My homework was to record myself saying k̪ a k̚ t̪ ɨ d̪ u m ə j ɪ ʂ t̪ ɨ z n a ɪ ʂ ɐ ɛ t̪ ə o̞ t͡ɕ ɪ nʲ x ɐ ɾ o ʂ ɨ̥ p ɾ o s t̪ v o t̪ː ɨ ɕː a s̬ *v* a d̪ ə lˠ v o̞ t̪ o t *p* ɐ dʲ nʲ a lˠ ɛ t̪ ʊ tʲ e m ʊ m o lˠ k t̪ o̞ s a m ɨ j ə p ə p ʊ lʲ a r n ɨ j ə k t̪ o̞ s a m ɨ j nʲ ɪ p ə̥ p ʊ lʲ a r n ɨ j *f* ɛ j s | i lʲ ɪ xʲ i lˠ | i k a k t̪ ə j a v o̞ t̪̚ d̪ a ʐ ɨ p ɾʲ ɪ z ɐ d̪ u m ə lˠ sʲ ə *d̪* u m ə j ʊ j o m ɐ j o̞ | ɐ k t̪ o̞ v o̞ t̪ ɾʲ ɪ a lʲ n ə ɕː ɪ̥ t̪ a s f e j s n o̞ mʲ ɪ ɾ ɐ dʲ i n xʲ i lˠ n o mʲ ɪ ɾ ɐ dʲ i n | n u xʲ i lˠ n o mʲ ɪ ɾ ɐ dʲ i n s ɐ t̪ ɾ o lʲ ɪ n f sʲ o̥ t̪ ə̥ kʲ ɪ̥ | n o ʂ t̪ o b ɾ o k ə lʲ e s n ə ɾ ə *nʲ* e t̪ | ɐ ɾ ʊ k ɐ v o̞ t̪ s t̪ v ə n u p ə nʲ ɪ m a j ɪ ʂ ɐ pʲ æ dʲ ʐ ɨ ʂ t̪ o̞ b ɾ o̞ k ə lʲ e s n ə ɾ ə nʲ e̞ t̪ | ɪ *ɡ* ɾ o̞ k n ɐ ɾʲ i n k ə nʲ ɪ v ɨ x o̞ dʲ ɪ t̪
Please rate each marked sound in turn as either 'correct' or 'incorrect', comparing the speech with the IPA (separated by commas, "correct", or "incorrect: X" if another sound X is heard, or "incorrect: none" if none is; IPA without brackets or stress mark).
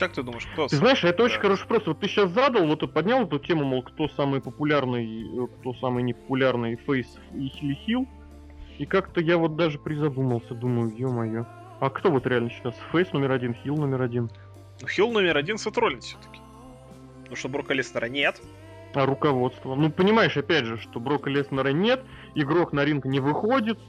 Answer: incorrect: z, correct, correct, correct, correct, correct